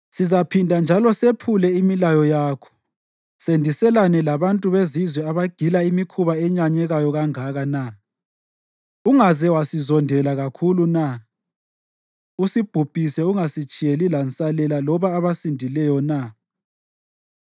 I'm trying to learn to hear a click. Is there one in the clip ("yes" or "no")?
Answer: no